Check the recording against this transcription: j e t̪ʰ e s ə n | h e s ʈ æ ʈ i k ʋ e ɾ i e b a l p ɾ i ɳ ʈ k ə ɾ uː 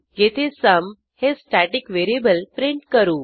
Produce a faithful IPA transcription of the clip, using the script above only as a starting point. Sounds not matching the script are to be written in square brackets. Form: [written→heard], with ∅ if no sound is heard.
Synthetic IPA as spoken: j e t̪ʰ e s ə [n→m] | h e s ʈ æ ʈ i k ʋ e ɾ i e b [a→ə] l p ɾ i ɳ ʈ k ə ɾ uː

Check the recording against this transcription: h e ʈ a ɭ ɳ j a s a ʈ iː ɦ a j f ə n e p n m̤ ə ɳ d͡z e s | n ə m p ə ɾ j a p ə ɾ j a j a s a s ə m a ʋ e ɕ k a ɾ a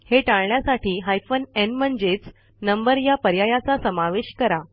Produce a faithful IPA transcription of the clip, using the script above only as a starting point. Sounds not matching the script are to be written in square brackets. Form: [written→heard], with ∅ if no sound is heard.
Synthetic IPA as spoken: h e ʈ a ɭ ɳ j a s a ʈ iː ɦ a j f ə n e [p→∅] n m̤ ə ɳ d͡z e [s→t͡s] | n ə m [p→b] ə ɾ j a p ə ɾ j a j a [s→t͡s] a s ə m a ʋ e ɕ k [a→ə] ɾ a

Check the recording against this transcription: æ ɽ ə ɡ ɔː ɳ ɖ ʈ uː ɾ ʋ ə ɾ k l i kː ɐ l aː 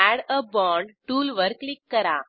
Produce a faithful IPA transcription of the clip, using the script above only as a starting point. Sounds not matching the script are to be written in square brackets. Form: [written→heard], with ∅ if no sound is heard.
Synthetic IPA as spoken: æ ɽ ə [ɡ→b] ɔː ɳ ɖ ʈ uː [ɾ→l] ʋ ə ɾ k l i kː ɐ [l→ɾ] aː

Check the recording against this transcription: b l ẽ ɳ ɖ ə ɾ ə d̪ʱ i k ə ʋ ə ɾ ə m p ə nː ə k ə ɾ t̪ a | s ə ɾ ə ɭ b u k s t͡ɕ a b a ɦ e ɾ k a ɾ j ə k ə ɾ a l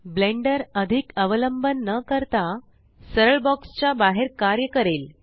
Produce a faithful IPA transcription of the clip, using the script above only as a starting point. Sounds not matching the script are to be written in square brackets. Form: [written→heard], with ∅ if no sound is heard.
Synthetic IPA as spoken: b l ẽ ɳ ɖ ə ɾ ə d̪ʱ i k ə ʋ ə [ɾ→l] ə m [p→b] ə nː ə k ə ɾ t̪ a | s ə ɾ ə ɭ b [u→ɔ] k s t͡ɕ a b a ɦ e ɾ k a ɾ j ə k ə ɾ [a→e] l

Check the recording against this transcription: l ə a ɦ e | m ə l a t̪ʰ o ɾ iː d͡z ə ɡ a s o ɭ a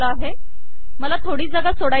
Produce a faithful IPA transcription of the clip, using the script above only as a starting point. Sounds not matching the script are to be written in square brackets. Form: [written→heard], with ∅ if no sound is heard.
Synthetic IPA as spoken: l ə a ɦ e | m ə l a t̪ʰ o [ɾ→ɽ] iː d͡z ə ɡ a s o [ɭ→ɽ] a

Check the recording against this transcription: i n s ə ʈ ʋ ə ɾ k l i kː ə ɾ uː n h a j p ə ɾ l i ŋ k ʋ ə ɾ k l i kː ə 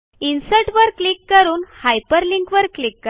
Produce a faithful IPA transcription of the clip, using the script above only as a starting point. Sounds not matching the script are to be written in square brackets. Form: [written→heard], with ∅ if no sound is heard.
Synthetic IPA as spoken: i n s ə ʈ ʋ ə ɾ k l i kː ə ɾ uː n h a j p ə ɾ l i ŋ k ʋ ə ɾ k l i kː ə

